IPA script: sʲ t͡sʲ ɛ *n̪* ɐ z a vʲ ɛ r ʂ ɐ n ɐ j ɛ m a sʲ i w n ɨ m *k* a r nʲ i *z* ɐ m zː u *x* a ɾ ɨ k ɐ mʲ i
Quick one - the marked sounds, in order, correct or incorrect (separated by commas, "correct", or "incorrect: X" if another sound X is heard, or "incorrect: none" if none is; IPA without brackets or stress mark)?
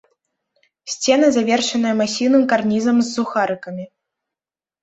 correct, correct, correct, correct